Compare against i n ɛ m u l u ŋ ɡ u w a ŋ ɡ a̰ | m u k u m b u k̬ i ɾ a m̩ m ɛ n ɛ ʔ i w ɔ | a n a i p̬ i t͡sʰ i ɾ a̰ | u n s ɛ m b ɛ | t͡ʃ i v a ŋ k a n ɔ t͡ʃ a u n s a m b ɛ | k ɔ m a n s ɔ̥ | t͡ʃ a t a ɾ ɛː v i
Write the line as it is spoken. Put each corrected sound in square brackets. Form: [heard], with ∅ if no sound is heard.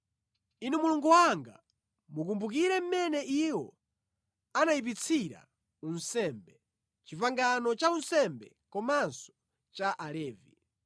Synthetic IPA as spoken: i n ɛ m u l u ŋ ɡ u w a ŋ ɡ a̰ | m u k u m b u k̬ i ɾ [ɛ] m̩ m ɛ n ɛ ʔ i w ɔ | a n a i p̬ i t͡sʰ i ɾ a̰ | u n s ɛ m b ɛ | t͡ʃ i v a ŋ [ɡ] a n ɔ t͡ʃ a u n s [ɛ] m b ɛ | k ɔ m a n s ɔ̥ | t͡ʃ a [ʔ] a [l] ɛː v i